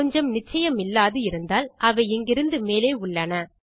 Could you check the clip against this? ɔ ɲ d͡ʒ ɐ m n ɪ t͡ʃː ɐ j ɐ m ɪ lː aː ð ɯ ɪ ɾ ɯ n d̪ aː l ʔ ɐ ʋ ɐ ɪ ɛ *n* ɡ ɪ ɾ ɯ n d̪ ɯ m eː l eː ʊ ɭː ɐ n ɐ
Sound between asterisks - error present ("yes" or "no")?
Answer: yes